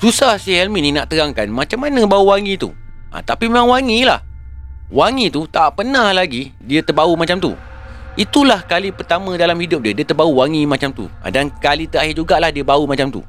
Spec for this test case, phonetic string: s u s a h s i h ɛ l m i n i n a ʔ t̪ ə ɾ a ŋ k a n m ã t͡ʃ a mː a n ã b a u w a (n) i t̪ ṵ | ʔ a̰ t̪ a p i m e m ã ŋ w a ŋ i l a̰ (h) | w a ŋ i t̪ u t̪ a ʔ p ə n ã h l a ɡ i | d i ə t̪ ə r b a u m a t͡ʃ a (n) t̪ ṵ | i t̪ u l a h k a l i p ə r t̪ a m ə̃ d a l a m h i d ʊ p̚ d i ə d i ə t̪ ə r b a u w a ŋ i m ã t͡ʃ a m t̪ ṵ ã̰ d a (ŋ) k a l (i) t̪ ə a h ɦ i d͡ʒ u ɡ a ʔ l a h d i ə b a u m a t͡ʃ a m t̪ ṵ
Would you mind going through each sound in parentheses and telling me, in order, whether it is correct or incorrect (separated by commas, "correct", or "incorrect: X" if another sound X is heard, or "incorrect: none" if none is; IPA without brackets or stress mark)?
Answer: incorrect: ŋ, correct, incorrect: m, incorrect: n, correct